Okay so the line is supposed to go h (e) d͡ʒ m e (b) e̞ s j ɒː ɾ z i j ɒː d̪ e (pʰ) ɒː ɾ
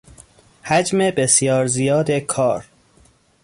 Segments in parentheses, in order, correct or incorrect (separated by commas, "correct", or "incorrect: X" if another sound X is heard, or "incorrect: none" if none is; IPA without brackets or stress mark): incorrect: æ, correct, incorrect: kʰ